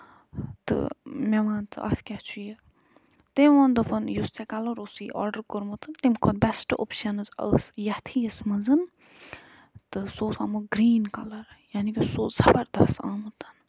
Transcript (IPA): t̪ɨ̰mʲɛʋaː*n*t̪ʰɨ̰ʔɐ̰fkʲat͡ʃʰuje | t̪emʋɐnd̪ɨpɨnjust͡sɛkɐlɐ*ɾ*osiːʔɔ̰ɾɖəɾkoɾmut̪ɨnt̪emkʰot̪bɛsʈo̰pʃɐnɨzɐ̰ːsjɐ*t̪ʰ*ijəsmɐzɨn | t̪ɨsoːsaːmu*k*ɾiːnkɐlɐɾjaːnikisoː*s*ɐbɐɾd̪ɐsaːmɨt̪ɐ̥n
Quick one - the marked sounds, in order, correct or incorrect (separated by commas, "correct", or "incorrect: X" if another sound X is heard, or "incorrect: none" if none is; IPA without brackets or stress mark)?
correct, correct, correct, incorrect: ɡ, incorrect: z